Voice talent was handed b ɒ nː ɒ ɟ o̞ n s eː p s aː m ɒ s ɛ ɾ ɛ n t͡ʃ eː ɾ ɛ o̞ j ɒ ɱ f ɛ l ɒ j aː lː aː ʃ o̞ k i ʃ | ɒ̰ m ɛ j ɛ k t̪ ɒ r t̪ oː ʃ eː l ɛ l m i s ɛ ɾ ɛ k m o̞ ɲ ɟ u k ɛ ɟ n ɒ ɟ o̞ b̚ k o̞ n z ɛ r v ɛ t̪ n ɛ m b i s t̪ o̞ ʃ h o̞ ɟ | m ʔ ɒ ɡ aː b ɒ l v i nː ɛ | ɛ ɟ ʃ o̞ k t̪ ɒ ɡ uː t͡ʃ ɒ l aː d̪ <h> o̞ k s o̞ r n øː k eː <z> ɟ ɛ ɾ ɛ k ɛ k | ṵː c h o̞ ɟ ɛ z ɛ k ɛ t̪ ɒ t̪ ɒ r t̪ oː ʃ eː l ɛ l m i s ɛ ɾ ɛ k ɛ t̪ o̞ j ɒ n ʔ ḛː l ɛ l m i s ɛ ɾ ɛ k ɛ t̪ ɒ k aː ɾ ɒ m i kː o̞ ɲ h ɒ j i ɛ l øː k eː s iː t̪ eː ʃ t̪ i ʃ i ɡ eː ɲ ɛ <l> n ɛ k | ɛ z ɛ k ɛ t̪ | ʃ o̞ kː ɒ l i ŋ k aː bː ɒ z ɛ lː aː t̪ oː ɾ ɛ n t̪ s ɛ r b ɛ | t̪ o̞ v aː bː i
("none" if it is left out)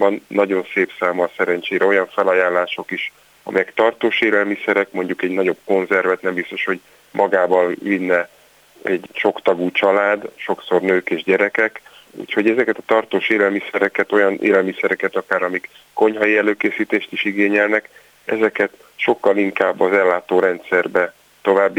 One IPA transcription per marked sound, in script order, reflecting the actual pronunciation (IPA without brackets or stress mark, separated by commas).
ʃ, ʒ, l